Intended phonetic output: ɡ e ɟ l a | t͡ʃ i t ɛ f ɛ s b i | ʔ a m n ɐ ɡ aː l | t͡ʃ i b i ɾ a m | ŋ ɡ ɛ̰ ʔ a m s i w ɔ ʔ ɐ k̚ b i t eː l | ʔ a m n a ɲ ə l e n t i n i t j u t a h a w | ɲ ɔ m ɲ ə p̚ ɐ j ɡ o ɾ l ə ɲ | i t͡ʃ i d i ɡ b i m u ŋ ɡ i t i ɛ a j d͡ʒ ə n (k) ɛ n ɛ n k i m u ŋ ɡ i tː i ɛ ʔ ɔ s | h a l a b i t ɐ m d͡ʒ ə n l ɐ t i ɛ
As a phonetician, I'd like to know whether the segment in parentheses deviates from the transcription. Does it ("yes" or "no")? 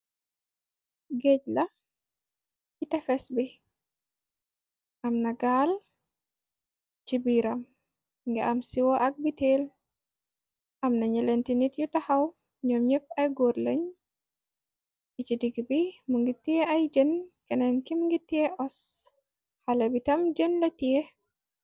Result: no